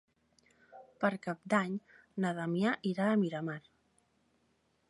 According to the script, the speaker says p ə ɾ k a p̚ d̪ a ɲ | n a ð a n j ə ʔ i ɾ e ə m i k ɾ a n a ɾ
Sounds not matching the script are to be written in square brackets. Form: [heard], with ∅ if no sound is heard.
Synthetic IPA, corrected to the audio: p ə ɾ k a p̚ d̪ a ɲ | n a ð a [m] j [a] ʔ i ɾ [a] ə m i [∅] ɾ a [m] a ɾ